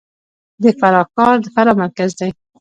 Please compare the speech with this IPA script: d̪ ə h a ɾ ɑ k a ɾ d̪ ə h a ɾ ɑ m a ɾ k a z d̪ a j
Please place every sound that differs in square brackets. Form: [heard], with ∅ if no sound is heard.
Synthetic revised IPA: d̪ ə [f] a ɾ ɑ k [ɑ] ɾ d̪ ə [f] a ɾ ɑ m a ɾ k a z d̪ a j